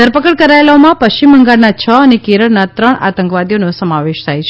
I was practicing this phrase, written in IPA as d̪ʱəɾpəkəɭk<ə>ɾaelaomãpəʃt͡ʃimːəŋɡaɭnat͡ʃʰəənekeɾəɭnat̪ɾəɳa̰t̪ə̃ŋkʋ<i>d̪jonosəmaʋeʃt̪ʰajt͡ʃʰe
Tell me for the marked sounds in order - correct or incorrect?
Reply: correct, incorrect

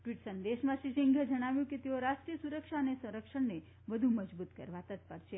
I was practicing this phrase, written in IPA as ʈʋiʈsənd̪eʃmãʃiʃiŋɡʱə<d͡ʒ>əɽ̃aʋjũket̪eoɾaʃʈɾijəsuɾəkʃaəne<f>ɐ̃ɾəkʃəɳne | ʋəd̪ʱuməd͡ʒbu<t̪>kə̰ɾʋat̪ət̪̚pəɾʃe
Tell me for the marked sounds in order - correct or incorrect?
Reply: correct, incorrect, correct

